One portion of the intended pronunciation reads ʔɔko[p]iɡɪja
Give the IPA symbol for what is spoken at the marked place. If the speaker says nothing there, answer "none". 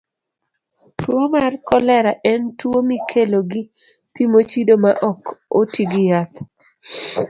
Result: t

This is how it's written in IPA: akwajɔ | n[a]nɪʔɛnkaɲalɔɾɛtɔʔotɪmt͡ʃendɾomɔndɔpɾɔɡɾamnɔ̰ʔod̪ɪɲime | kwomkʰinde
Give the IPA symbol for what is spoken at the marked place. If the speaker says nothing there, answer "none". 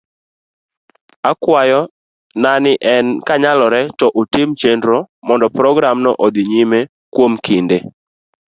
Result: a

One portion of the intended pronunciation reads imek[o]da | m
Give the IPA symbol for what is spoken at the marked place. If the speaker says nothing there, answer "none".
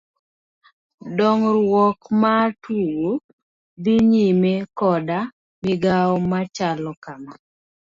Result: ɔ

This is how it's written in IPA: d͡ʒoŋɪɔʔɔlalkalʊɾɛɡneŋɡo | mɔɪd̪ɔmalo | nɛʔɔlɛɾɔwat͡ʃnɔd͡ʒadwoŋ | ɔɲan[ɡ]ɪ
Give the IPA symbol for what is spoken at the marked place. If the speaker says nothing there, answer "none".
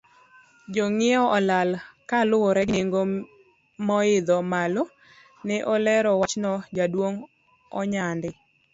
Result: d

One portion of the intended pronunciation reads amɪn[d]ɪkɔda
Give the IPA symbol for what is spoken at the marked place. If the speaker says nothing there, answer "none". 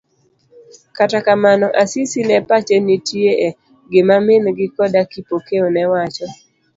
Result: ɡ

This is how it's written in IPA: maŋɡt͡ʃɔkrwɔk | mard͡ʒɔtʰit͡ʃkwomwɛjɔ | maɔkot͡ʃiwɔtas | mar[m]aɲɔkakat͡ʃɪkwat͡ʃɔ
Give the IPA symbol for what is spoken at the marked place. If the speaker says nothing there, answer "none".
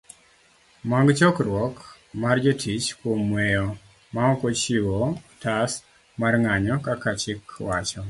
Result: ŋ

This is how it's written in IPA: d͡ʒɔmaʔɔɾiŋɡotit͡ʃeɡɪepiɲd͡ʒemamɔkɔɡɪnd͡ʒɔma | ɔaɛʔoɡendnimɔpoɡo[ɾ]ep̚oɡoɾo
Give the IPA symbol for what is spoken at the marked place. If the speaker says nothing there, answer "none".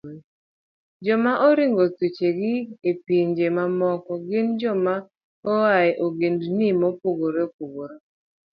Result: ɾ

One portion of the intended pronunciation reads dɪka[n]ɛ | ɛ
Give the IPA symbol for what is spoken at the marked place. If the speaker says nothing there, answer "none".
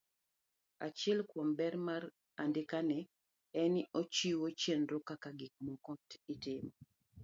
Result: n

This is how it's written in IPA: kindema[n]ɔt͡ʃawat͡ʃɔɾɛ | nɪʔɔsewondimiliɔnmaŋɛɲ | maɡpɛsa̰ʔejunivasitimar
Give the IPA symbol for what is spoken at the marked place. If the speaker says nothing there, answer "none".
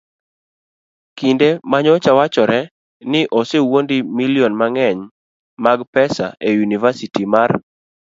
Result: ɲ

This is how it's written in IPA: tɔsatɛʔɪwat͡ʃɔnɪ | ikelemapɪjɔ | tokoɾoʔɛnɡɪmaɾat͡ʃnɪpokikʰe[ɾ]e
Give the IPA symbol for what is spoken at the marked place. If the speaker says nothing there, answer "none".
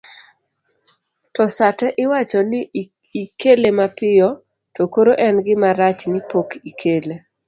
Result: l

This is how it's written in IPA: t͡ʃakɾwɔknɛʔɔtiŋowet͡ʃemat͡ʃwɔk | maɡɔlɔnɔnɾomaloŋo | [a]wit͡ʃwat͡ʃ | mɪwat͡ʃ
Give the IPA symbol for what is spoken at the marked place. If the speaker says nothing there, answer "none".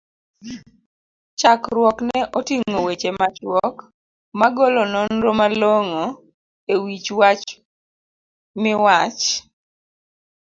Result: e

